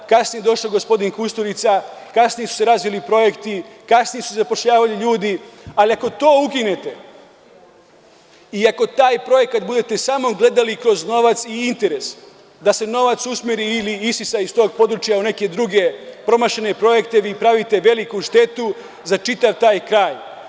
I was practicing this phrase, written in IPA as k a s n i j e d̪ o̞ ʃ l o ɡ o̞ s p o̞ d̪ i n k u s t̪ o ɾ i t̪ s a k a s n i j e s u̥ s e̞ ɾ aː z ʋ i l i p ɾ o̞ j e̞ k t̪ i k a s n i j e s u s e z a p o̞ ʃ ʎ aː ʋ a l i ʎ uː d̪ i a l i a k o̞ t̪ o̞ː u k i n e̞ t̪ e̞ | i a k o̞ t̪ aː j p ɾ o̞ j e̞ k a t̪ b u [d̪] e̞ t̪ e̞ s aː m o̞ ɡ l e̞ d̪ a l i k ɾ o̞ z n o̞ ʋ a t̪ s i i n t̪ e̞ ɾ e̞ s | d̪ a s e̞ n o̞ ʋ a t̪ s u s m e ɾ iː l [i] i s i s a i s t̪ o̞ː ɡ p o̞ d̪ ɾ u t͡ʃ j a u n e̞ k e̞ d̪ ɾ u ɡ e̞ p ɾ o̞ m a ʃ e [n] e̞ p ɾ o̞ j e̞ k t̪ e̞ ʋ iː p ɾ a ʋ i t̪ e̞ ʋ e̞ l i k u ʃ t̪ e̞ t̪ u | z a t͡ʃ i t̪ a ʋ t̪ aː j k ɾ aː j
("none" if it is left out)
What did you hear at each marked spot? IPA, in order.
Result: d̪, i, n

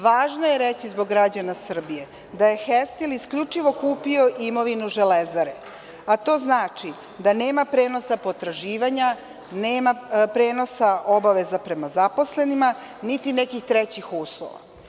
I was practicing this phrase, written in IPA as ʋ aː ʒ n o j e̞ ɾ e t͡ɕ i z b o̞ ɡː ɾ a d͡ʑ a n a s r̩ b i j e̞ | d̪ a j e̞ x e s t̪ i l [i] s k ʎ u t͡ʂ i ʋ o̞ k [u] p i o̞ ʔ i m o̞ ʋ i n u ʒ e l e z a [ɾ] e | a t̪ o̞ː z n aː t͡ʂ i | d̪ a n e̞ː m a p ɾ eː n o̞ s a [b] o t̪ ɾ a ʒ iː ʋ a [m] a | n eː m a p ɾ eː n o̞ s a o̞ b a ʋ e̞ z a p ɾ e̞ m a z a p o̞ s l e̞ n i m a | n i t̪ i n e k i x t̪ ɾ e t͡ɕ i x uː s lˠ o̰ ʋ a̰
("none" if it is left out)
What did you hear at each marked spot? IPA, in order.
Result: i, uː, ɾ, p, ɲ

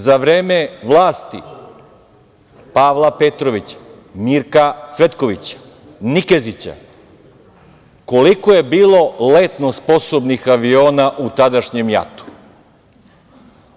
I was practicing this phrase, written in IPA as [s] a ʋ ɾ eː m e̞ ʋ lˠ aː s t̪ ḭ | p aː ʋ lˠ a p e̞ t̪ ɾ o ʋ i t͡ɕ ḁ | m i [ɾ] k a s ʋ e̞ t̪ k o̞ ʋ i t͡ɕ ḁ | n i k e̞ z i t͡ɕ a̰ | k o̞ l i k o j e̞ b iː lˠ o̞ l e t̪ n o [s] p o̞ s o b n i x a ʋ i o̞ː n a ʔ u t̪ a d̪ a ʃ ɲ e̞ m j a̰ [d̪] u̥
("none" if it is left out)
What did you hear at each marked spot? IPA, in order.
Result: z, ɾ, s, t̪

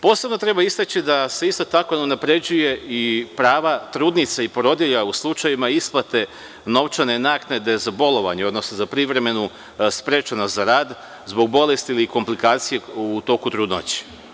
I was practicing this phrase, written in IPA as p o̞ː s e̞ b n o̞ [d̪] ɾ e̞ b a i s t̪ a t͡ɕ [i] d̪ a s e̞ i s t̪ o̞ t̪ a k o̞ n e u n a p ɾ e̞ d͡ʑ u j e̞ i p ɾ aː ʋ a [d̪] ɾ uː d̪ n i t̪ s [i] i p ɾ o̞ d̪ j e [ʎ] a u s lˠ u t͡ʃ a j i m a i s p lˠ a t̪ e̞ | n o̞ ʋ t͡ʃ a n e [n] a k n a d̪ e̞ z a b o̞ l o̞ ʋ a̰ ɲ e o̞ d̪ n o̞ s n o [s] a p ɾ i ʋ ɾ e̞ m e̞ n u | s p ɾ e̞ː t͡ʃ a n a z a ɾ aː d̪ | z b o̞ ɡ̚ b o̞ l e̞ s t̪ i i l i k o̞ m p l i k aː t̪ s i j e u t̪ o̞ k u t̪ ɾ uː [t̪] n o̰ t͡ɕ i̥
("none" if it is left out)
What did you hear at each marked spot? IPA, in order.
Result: t̪, i, t̪, a, ʎ, n, z, d̪

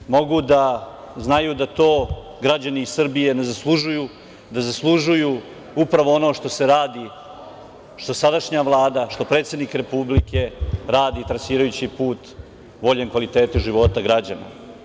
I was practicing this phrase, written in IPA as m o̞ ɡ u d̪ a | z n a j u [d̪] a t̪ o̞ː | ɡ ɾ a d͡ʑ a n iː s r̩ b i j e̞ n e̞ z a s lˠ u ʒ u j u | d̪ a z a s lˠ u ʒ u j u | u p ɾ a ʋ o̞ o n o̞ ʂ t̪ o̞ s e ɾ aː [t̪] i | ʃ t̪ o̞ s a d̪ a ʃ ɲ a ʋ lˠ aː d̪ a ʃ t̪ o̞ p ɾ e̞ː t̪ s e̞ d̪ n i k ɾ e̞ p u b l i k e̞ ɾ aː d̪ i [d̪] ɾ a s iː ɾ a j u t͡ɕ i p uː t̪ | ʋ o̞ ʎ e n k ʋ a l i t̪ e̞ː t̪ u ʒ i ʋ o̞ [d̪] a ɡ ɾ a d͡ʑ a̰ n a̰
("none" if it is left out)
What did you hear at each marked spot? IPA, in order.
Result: d̪, d̪, t̪, t̪

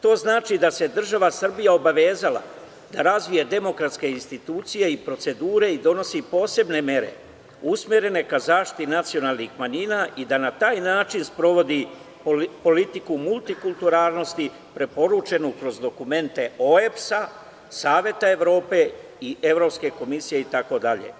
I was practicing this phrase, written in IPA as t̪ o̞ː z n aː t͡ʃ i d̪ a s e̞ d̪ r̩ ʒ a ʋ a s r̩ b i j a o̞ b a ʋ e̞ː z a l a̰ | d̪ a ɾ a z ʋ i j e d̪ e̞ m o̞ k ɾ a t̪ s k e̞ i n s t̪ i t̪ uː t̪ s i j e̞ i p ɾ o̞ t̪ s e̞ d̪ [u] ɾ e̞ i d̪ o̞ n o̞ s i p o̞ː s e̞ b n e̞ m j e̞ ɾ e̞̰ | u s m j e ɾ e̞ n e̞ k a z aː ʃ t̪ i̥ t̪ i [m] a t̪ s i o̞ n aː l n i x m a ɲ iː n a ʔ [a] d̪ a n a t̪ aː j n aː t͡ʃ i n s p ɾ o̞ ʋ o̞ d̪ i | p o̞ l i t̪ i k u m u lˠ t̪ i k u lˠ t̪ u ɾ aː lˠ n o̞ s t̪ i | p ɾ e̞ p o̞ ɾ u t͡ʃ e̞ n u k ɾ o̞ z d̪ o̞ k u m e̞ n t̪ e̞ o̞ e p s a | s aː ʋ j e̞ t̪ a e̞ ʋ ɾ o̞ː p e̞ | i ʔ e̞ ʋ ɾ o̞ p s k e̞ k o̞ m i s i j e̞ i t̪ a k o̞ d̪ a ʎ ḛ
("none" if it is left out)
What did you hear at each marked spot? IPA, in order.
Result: uː, n, i

